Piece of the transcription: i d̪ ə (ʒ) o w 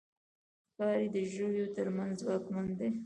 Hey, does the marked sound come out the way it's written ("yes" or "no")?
yes